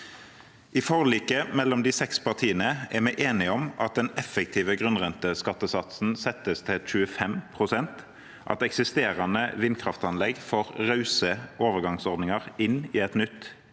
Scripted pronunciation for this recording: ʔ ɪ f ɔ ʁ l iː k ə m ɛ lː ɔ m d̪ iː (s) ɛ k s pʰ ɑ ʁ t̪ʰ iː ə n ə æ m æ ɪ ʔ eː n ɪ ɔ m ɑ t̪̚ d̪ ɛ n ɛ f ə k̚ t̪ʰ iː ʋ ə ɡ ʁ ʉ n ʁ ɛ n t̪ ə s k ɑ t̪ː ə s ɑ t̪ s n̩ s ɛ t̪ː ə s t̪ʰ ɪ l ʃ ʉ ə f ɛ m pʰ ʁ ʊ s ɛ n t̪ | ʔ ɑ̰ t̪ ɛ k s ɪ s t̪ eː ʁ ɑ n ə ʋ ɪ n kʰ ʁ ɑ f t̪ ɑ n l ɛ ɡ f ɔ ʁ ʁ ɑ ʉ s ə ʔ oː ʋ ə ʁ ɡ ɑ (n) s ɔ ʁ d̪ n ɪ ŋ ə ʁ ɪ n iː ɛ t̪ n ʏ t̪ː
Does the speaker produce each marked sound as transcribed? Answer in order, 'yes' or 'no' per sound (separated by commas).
yes, no